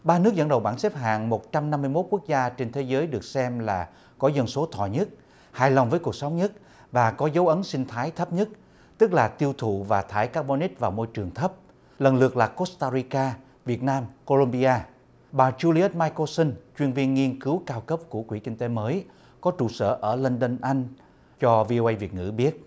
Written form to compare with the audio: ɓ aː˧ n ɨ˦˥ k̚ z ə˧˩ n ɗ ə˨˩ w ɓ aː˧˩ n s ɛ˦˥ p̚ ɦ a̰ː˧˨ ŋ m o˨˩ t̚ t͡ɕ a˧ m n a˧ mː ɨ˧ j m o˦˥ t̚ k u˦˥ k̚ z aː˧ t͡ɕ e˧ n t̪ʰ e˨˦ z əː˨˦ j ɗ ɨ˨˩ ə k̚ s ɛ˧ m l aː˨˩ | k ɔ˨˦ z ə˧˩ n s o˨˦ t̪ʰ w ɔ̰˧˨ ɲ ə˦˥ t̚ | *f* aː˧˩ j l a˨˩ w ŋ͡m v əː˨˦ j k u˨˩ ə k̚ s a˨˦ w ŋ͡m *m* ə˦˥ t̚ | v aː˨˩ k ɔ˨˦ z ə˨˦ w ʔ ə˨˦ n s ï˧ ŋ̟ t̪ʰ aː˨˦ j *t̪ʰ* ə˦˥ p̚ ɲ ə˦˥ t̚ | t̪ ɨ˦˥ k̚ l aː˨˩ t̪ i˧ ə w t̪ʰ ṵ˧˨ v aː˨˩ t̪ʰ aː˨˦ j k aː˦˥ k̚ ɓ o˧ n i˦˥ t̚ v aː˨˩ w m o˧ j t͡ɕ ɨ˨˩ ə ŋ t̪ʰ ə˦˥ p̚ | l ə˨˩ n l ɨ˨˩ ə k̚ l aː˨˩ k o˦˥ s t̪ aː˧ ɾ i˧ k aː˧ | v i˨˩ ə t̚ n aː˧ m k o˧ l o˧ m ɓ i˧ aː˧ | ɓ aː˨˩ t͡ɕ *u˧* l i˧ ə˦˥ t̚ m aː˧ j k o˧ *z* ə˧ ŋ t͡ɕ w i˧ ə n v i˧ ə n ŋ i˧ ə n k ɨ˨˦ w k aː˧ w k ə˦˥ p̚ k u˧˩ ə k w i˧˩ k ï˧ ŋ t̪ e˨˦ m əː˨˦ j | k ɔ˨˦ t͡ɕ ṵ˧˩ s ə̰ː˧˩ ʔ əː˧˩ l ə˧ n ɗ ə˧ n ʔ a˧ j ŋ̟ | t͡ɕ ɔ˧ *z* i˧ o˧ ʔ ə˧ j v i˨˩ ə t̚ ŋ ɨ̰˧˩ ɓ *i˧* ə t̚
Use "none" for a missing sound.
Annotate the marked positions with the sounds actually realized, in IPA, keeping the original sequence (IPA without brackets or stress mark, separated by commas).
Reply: h, ɲ, t̪ʰ, u˧, s, v, i˦˥